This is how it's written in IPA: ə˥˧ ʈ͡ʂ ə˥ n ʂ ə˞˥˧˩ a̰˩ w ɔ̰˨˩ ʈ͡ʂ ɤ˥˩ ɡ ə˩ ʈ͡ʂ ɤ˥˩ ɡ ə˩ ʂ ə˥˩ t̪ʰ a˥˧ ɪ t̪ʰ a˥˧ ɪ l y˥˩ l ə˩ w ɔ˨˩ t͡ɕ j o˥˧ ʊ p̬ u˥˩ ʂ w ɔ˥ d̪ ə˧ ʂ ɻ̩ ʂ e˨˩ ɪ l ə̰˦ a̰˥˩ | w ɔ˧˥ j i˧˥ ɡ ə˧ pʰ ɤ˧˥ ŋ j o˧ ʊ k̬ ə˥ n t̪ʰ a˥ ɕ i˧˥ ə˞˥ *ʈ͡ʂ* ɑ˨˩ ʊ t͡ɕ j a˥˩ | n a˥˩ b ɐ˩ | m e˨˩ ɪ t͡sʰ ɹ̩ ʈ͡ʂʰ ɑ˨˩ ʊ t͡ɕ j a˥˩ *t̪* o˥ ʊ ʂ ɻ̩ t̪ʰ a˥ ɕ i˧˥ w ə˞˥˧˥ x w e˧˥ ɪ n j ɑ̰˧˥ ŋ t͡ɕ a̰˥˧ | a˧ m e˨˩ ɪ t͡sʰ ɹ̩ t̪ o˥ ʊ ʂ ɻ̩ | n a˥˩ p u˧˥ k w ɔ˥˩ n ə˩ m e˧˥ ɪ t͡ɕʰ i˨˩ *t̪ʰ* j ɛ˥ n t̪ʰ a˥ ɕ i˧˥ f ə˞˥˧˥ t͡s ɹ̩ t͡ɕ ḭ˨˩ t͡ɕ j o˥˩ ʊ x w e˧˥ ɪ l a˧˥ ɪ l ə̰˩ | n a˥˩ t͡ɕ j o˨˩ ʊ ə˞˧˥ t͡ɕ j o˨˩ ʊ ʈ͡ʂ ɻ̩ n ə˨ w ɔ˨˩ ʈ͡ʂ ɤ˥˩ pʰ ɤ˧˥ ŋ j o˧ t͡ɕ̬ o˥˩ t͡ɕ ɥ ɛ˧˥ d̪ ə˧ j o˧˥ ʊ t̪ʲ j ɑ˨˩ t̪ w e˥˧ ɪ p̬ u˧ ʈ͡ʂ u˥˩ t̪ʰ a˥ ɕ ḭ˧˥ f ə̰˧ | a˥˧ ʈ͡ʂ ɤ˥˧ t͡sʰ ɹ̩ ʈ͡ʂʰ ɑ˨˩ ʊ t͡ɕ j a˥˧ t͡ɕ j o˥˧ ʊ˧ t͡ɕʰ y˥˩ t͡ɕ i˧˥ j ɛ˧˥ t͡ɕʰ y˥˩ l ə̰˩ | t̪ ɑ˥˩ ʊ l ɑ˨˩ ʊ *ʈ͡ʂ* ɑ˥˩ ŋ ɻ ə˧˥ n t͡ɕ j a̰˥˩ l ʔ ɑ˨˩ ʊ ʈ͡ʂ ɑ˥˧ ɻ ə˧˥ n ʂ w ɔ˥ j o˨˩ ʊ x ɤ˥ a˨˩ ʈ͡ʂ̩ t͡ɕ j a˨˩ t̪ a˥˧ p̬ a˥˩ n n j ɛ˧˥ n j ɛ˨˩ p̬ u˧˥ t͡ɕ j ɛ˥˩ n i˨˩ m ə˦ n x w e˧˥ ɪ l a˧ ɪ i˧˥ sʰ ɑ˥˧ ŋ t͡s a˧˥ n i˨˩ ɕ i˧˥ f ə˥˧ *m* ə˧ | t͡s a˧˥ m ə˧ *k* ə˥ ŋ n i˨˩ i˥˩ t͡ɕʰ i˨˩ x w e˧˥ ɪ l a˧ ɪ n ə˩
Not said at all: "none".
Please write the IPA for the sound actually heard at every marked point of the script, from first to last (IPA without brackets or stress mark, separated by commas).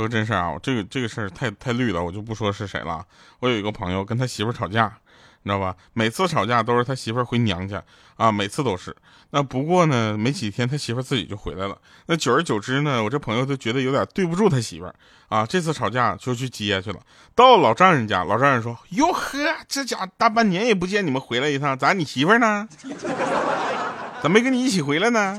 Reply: ʈ͡ʂʰ, t̪, t̪ʰ, ʈ͡ʂ, n, k